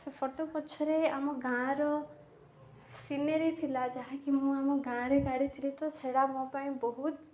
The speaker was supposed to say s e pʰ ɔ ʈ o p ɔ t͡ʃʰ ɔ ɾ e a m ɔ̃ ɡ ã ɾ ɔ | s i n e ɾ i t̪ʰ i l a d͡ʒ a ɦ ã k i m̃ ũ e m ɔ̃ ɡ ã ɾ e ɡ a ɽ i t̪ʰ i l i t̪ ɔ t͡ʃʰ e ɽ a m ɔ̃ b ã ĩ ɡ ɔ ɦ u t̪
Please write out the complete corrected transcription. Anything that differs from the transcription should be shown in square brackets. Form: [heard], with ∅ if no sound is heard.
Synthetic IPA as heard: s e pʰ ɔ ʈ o p ɔ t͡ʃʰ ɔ ɾ e a m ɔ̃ ɡ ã ɾ ɔ | s i n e ɾ i t̪ʰ i l a d͡ʒ a ɦ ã k i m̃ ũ [a] m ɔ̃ ɡ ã ɾ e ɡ a ɽ i t̪ʰ i l i t̪ ɔ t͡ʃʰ e ɽ a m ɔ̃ [p] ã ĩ [b] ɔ ɦ u t̪

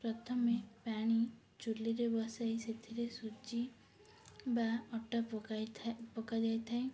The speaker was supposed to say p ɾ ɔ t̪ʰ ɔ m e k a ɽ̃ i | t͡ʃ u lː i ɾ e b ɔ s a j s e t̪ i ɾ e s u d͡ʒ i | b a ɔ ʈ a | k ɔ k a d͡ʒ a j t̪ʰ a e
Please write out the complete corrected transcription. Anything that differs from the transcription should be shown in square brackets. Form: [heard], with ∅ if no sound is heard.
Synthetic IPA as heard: p ɾ ɔ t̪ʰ ɔ m e [p] a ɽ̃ i | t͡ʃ u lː i ɾ e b ɔ s a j s e [t̪ʰ] i ɾ e s u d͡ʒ i | b a ɔ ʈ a | [p] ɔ k a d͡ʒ a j t̪ʰ a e

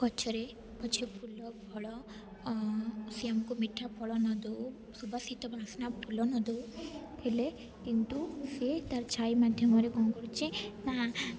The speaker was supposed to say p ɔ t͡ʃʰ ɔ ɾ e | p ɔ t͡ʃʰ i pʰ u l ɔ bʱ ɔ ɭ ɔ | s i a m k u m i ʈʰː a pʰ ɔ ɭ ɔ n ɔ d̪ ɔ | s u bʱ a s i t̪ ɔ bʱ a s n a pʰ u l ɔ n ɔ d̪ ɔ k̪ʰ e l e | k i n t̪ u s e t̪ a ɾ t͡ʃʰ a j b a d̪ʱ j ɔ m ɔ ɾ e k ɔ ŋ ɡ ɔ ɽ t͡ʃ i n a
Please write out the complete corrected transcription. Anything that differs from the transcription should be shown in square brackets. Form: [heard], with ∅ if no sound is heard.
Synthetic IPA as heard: [k] ɔ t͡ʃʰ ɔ ɾ e | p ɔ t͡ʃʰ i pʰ u l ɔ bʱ ɔ ɭ ɔ | s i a m k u m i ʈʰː a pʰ ɔ ɭ ɔ n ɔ d̪ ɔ | s u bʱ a s i t̪ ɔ bʱ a s n a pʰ u l ɔ n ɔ d̪ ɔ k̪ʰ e l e | k i n t̪ u s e t̪ a ɾ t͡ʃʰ a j [m] a d̪ʱ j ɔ m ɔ ɾ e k ɔ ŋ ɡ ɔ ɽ t͡ʃ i n a

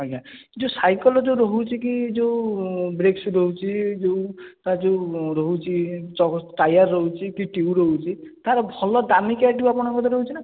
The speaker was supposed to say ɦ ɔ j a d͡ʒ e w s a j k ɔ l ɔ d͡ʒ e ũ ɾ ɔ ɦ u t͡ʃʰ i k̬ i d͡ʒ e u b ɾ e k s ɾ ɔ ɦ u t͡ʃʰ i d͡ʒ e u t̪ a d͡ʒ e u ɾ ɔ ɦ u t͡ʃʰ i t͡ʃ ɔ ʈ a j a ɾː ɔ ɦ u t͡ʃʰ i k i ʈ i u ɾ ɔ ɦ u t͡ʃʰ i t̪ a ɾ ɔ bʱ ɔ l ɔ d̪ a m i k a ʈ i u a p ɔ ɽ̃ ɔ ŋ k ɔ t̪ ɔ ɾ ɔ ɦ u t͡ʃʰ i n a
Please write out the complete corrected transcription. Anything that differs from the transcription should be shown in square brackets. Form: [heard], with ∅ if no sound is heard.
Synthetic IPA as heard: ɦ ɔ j a d͡ʒ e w s a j k ɔ l ɔ d͡ʒ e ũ ɾ ɔ ɦ u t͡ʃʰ i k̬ i d͡ʒ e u b ɾ e k s ɾ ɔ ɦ u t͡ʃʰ i d͡ʒ e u t̪ a d͡ʒ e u ɾ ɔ ɦ u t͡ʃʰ i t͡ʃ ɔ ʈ a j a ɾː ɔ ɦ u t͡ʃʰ i k i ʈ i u ɾ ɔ ɦ u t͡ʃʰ i t̪ a ɾ ɔ bʱ ɔ l ɔ d̪ a m i k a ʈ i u a p ɔ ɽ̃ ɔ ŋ k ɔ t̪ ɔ ɾ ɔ ɦ u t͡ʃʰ i n a

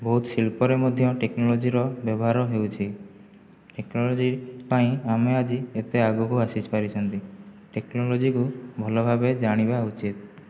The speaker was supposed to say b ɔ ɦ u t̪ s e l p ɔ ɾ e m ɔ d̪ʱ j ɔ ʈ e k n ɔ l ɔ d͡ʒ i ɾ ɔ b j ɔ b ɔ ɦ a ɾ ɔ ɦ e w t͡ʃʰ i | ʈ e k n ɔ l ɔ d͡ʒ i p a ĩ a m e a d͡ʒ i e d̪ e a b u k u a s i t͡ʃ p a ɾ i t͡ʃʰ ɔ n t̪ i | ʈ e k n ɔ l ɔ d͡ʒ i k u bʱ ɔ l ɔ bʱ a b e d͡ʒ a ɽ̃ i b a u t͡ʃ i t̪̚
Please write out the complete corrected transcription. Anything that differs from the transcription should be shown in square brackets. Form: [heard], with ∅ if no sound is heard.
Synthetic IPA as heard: b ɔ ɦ u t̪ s [i] l p ɔ ɾ e m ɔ d̪ʱ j ɔ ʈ e k n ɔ l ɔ d͡ʒ i ɾ ɔ b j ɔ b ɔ ɦ a ɾ ɔ ɦ e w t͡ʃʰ i | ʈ e k n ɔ l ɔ d͡ʒ i p a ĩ a m e a d͡ʒ i e [t̪] e a [ɡ] u k u a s i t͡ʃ p a ɾ i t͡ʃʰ ɔ n t̪ i | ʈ e k n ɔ l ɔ d͡ʒ i k u bʱ ɔ l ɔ bʱ a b e d͡ʒ a ɽ̃ i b a u t͡ʃ i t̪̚

